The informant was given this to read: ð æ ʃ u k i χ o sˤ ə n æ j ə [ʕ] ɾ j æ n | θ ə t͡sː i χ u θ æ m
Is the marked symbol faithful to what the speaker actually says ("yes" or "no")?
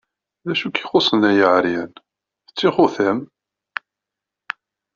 yes